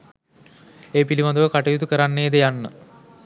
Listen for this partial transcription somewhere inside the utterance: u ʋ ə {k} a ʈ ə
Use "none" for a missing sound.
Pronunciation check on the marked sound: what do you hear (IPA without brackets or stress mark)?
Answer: k